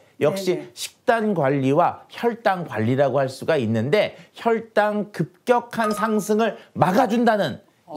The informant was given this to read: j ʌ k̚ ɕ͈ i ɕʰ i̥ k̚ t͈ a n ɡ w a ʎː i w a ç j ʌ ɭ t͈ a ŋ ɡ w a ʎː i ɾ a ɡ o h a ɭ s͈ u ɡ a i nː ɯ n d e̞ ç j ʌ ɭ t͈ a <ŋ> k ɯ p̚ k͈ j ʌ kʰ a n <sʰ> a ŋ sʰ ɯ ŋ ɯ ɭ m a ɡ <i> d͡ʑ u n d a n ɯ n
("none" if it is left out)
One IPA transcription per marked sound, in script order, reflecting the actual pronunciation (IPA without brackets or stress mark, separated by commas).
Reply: ŋ, sʰ, a